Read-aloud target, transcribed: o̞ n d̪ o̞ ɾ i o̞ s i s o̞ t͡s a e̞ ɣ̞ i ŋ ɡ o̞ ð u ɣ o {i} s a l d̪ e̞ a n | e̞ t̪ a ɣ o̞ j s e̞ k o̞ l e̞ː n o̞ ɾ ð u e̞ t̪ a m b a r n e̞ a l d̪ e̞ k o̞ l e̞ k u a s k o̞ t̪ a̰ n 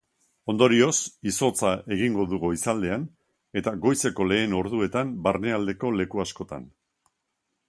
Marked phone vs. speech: correct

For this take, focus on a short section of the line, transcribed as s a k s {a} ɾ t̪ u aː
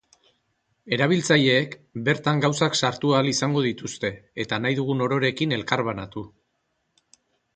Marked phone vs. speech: correct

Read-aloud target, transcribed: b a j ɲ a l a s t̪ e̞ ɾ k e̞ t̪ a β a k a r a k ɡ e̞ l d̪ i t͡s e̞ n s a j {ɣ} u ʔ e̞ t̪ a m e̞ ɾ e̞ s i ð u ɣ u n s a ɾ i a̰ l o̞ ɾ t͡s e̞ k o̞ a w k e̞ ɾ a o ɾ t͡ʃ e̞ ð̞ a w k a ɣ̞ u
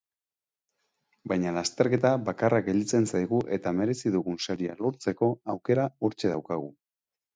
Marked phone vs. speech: correct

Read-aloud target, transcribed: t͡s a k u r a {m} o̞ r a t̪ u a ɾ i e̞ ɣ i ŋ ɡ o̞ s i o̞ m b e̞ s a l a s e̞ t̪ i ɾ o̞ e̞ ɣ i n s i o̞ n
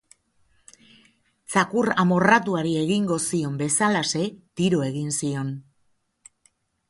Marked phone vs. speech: correct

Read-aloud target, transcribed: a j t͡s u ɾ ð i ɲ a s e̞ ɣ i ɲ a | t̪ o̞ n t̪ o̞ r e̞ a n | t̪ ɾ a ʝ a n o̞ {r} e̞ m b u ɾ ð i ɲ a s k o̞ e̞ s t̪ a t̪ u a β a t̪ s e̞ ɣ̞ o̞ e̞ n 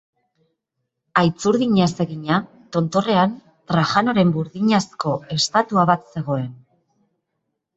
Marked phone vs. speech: incorrect: ɾ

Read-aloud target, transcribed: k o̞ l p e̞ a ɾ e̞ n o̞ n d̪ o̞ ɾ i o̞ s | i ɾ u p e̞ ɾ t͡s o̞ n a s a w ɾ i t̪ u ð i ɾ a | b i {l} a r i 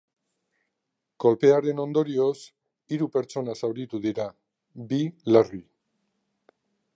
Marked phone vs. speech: correct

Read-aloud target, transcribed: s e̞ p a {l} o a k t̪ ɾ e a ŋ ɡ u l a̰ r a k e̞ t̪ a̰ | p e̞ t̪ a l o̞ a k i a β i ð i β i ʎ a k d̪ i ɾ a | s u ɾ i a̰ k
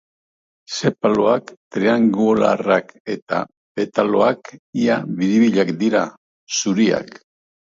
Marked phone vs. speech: correct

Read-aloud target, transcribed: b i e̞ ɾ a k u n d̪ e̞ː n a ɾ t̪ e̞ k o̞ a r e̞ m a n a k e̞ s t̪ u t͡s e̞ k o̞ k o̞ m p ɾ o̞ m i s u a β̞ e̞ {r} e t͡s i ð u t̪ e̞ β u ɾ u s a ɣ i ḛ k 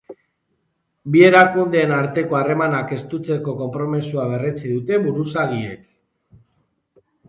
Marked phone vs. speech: correct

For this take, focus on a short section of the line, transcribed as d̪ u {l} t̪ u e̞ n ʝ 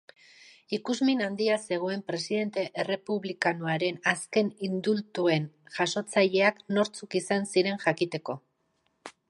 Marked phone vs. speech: correct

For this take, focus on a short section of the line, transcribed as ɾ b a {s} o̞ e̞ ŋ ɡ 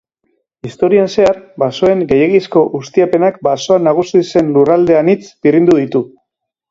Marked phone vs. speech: correct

